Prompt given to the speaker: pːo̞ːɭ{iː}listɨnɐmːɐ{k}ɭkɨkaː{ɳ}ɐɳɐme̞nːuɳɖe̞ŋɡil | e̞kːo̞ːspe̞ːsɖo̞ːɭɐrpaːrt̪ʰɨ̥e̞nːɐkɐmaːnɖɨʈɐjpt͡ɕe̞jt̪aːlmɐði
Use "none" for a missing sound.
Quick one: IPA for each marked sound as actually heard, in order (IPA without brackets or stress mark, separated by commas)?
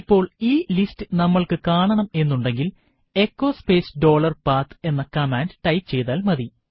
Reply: iː, none, ɳ